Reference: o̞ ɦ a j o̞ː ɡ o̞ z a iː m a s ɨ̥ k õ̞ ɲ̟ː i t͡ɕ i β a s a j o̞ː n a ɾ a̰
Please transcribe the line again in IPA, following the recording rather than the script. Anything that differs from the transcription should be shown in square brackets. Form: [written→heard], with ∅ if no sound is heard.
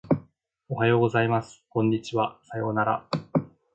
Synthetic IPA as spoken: o̞ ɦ a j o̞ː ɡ o̞ z a [iː→i] m a s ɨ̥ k õ̞ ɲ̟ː i t͡ɕ i β a s a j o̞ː n a ɾ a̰